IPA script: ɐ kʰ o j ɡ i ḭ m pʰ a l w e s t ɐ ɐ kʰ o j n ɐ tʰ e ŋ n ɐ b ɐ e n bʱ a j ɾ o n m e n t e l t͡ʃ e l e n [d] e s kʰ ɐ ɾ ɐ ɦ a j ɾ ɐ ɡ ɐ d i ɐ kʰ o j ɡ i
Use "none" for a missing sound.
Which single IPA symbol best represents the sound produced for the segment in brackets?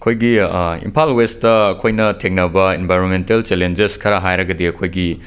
d͡ʒ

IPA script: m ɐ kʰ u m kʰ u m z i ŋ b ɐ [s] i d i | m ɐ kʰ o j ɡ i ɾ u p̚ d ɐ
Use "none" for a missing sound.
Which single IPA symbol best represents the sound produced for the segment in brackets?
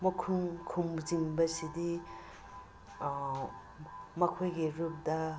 s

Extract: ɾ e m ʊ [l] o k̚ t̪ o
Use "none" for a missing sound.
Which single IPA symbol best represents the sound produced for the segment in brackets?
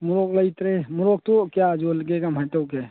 ɾ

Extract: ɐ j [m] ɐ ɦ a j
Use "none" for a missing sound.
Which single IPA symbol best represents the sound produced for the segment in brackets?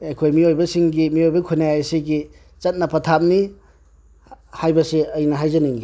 n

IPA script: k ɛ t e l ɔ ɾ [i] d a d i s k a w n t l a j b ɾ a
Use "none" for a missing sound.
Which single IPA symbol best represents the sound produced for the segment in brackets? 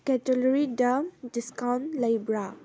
i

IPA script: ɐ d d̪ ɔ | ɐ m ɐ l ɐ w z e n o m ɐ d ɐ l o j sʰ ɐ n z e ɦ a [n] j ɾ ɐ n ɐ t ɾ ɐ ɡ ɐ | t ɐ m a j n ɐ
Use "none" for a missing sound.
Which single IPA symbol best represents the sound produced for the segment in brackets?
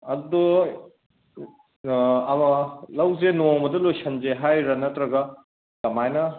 none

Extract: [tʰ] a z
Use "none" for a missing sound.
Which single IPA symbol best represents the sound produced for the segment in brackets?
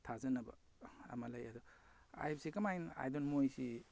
tʰ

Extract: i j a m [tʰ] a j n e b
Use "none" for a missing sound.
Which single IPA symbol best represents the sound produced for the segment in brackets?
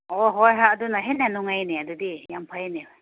pʰ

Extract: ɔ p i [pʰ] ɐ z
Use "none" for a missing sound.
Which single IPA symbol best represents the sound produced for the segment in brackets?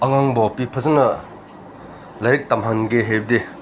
pʰ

